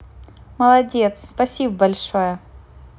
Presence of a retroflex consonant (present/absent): present